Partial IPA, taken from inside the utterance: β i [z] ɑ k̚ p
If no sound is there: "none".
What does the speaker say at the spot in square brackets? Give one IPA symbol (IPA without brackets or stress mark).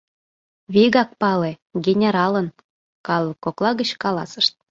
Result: ɣ